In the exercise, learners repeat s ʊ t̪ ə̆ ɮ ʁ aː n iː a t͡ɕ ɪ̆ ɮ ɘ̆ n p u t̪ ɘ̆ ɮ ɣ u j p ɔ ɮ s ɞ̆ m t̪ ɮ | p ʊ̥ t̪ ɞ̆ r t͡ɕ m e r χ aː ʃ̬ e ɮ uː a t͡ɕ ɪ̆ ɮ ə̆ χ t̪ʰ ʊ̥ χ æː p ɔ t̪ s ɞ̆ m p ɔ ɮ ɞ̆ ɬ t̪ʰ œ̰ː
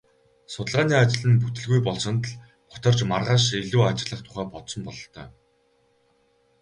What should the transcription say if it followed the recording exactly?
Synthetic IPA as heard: s ʊ t̪ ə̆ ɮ ʁ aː n iː a t͡ɕ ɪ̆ ɮ ɘ̆ n p u t̪ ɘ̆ ɮ ɣ u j p ɔ ɮ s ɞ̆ n t̪ ɮ | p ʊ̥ t̪ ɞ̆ r t͡ɕ m a r ʁ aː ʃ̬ e ɮ uː a t͡ɕ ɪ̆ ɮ ə̆ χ t̪ʰ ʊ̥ χ æː p ɔ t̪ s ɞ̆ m p ɔ ɮ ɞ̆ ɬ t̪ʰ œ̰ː